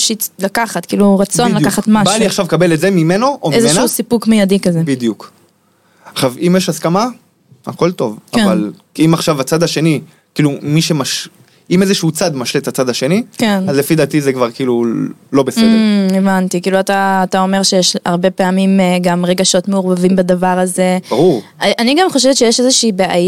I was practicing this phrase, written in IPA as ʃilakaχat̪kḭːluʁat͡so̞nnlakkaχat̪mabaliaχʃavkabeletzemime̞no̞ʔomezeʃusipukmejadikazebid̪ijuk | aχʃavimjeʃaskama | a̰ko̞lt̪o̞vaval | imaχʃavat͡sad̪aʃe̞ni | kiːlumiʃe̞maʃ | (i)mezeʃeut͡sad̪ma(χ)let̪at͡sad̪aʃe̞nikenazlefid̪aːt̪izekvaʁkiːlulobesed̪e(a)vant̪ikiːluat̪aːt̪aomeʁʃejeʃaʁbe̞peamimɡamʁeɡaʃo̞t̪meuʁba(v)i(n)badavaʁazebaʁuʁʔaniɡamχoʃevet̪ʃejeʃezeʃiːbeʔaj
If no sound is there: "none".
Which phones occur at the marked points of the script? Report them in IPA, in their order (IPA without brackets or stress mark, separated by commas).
i, ʃ, e, v, m